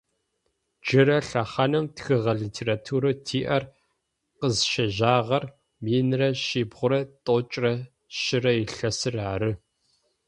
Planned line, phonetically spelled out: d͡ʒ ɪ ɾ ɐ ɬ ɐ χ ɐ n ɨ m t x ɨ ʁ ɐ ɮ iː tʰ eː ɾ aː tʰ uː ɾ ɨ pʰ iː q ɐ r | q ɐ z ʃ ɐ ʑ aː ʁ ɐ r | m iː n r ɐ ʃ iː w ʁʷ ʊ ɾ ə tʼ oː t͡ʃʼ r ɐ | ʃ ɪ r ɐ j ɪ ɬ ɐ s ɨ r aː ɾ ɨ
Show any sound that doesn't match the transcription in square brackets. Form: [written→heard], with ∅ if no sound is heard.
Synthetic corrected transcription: d͡ʒ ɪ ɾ ɐ ɬ ɐ χ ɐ n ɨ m t x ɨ ʁ ɐ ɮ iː tʰ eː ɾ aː tʰ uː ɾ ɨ [pʰ→tʰ] iː [q→ʔ] ɐ r | q [ɐ→ə] z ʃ ɐ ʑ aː ʁ ɐ r | m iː n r ɐ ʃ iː [w→b] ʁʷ ʊ ɾ [ə→ɐ] tʼ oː t͡ʃʼ r ɐ | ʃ ɪ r ɐ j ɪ ɬ ɐ s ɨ r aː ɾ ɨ